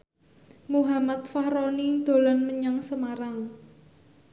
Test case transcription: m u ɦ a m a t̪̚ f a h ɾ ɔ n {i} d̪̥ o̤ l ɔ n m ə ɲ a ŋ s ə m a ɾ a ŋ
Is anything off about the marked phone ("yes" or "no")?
no